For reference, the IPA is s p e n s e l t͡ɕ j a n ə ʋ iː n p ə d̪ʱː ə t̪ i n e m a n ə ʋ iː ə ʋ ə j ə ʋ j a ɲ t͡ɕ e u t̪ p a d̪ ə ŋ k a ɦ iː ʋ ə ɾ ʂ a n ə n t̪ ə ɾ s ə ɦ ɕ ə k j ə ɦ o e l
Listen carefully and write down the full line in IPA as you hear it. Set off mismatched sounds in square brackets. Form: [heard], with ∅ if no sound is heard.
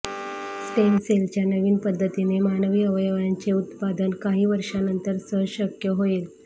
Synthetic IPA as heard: s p e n s e l t͡ɕ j a n ə ʋ iː n p ə d̪ʱː ə t̪ i n e m a n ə ʋ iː ə ʋ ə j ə ʋ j a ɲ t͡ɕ e u t̪ p a d̪ ə [n] k a ɦ iː ʋ ə ɾ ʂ a n ə n t̪ ə ɾ s ə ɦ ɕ ə k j ə ɦ o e l